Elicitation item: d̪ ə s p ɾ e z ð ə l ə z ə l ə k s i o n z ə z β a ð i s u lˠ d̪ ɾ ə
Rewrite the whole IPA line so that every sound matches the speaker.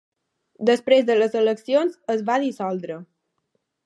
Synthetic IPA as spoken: d̪ ə s p ɾ e z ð ə l ə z ə l ə k s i o n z ə z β a ð i s ɔ lˠ d̪ ɾ ə